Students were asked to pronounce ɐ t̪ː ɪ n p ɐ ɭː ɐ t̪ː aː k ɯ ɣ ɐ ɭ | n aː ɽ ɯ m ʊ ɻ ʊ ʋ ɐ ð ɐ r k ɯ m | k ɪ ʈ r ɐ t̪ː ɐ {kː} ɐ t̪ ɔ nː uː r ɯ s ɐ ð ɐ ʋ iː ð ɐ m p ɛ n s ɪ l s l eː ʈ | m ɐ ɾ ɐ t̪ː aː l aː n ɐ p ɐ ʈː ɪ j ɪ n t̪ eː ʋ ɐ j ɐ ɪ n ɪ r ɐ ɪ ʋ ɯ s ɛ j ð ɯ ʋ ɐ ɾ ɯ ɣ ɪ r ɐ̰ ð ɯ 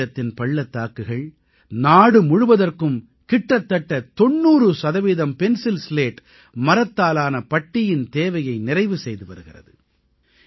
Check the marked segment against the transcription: incorrect: ʈː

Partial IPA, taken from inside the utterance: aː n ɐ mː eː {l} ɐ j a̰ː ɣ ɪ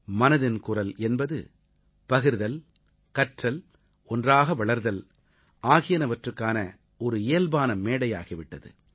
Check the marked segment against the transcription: incorrect: ɽ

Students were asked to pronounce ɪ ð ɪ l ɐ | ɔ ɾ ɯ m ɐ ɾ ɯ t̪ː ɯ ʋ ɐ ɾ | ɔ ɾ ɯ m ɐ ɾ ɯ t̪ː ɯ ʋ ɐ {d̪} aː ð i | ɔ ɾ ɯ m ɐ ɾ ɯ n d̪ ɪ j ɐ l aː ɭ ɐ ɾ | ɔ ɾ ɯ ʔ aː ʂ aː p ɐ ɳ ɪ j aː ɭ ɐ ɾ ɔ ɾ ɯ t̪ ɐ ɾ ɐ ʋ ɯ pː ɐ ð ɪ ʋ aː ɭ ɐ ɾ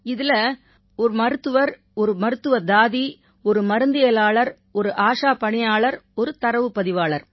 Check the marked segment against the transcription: correct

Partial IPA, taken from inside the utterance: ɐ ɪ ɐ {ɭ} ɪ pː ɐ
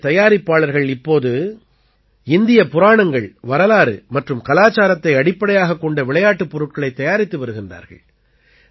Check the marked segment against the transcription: incorrect: ɽ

